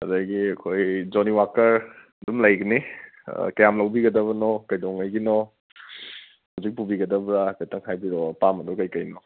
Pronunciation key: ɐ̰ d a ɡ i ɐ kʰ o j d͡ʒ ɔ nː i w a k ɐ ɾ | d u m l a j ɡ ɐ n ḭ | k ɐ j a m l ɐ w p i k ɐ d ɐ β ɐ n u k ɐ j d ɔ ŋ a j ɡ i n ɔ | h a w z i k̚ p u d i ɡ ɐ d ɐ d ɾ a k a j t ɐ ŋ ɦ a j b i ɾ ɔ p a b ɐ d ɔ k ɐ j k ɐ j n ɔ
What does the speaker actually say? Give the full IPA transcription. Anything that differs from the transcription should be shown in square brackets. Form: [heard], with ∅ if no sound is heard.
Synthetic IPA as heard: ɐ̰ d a ɡ i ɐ kʰ o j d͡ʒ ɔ [n] i w a k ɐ ɾ | d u m l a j ɡ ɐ n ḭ | k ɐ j a m l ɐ w [b] i [ɡ] ɐ d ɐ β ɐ n [ɔ] k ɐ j d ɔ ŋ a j ɡ i n ɔ | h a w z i k̚ p u [b] i ɡ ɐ d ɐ [b] ɾ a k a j t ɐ ŋ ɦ a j b i ɾ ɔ p a [m] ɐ d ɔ k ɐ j k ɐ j n ɔ